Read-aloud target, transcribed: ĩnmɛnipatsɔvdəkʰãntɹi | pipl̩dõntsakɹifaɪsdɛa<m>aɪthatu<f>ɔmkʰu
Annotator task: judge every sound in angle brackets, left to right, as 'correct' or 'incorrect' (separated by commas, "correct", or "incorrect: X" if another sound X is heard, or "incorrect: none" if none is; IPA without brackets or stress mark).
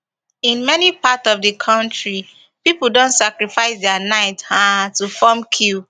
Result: incorrect: n, correct